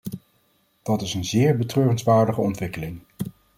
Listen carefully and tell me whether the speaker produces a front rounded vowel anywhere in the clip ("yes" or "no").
yes